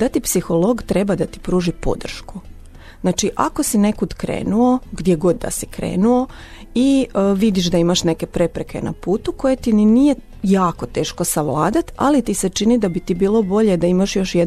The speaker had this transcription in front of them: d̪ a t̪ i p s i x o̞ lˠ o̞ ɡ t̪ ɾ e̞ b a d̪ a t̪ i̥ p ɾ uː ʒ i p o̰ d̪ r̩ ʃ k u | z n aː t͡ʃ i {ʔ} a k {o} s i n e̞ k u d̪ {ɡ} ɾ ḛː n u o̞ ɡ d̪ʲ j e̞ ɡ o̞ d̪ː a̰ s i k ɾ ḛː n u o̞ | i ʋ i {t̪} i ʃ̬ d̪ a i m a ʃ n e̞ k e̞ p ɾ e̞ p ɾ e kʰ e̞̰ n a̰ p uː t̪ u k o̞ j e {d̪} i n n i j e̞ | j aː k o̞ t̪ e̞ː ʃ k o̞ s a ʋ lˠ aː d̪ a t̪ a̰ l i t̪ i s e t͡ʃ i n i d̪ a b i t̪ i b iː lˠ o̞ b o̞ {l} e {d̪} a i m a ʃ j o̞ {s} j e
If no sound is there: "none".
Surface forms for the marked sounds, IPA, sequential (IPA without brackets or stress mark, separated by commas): ʔ, o, k, d̪, t̪, ʎ, d̪, ʃ